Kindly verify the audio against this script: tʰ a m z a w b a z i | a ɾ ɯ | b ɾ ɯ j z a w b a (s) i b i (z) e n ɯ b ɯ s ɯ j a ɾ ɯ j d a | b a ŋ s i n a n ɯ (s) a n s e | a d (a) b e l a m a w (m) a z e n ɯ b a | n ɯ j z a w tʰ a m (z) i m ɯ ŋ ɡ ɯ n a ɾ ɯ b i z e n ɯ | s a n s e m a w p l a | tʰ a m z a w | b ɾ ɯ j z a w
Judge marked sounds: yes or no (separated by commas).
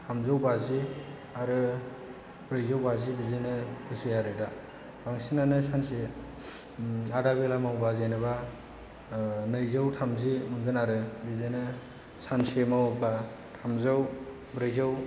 no, yes, yes, yes, no, yes